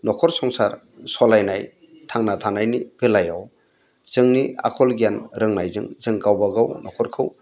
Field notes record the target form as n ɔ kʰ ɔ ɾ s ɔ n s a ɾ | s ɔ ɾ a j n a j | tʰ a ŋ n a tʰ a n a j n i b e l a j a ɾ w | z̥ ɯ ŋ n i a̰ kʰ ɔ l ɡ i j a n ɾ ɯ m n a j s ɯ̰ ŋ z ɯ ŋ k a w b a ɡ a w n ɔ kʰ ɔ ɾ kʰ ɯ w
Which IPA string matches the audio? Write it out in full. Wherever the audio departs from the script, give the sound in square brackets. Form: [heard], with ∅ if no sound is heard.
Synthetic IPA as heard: n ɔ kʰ ɔ ɾ s ɔ [ŋ] s a ɾ | s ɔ [l] a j n a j | tʰ a ŋ n a tʰ a n a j n i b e l a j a [∅] w | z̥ ɯ ŋ n i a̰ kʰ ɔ l ɡ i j a n ɾ ɯ [ŋ] n a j [z] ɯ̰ ŋ z ɯ ŋ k a w b a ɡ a w n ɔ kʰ ɔ ɾ kʰ ɯ w